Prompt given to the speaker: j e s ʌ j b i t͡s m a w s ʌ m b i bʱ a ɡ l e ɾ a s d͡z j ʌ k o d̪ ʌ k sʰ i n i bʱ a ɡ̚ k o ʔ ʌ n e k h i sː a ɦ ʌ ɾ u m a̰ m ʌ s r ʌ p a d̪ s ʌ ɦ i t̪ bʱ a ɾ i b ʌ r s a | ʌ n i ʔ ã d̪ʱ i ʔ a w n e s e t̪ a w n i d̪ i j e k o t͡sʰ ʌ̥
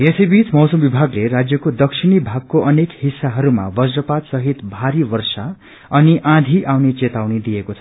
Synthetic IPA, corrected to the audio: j e s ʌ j b i t͡s m ʌ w s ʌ m b i bʱ a ɡ l e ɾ a d͡z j ʌ k o d̪ ʌ k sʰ i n i bʱ a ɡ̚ k o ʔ ʌ n e k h i sː a ɦ ʌ ɾ u m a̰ b ʌ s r ʌ p a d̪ s ʌ ɦ i t̪ bʱ a ɾ i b ʌ r s a | ʌ n i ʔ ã d̪ʱ i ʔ a w n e t͡s e t̪ a w n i d̪ i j e k o t͡sʰ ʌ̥